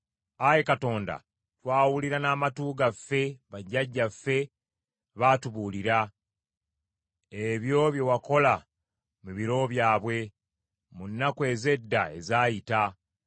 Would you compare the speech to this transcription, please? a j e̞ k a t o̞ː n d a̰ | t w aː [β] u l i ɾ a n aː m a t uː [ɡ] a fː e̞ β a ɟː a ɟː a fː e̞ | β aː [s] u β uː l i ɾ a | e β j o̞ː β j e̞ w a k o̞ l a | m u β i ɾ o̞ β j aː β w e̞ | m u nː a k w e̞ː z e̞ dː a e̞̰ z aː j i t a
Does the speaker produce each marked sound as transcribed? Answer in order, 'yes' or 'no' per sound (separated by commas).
no, yes, no